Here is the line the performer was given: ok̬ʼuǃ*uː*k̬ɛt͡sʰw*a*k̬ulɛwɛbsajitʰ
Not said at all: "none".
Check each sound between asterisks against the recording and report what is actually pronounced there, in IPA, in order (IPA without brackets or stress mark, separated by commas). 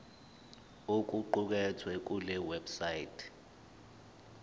u, ɛ